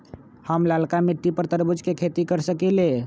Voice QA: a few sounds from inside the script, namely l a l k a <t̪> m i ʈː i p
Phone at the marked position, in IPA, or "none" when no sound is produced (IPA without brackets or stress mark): none